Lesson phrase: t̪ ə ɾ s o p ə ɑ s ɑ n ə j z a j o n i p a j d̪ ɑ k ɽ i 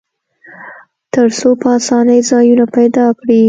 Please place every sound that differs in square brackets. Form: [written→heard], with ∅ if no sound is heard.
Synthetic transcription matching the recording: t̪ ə ɾ s o p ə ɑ s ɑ n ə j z [a→ɑ] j [o→u] n [i→a] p a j d̪ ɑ k ɽ i